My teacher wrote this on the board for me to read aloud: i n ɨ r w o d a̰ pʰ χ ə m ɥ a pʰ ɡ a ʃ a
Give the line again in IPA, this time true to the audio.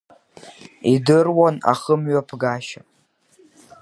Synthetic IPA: i d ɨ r w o n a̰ χ ə m ɥ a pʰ ɡ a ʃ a